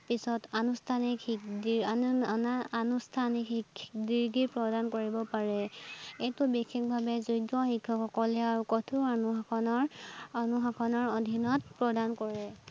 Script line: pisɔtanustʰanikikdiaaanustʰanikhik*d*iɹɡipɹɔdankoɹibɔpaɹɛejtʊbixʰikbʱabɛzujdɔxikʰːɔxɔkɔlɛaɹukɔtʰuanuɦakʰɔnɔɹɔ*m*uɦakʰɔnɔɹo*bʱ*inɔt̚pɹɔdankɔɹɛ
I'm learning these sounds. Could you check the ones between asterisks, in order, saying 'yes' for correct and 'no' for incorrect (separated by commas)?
yes, no, no